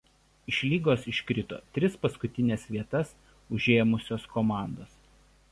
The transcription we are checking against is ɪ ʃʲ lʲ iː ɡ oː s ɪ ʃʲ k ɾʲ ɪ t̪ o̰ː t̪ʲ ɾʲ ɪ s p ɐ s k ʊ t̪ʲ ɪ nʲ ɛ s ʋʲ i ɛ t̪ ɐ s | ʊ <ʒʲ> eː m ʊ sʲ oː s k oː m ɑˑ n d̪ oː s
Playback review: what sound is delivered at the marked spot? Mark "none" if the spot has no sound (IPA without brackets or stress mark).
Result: ʒʲ